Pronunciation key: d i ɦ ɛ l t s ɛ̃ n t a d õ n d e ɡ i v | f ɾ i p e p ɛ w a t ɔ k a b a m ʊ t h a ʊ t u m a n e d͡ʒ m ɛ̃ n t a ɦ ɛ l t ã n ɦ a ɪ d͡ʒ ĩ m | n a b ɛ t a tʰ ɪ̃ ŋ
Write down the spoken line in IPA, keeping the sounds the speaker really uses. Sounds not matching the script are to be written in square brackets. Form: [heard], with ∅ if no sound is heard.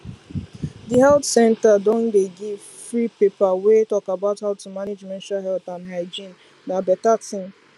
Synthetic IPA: d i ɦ ɛ l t s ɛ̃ n t a d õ n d e ɡ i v | f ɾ i p e p [a] w [e] t ɔ k a b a [∅] ʊ t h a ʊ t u m a n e d͡ʒ m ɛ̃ n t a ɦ ɛ l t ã n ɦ a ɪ d͡ʒ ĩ [n] | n a b ɛ t a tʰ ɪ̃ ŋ